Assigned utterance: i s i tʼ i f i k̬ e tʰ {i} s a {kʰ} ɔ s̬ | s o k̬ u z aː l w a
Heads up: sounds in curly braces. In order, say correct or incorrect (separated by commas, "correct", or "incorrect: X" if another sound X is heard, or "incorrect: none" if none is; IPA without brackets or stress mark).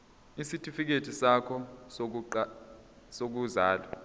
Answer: correct, correct